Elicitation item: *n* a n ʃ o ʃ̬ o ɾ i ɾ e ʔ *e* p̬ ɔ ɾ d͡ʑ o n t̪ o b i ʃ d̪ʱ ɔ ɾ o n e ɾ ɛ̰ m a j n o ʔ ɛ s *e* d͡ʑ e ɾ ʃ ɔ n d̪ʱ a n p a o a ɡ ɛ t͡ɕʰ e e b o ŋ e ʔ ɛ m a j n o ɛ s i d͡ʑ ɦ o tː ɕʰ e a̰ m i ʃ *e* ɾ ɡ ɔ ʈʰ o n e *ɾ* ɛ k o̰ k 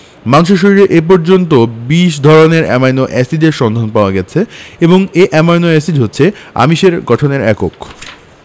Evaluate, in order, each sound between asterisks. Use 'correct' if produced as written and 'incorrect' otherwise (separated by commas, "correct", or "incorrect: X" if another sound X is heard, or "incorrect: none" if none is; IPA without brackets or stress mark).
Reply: incorrect: m, correct, incorrect: i, correct, correct